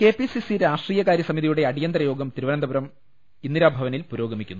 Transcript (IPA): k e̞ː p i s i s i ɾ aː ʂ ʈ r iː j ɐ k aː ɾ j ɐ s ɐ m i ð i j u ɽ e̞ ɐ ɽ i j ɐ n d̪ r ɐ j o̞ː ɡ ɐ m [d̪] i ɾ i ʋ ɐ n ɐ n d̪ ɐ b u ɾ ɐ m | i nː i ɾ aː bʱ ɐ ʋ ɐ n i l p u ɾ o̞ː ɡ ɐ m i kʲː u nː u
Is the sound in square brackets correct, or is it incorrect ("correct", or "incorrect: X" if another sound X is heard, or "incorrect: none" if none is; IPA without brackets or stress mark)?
incorrect: t̪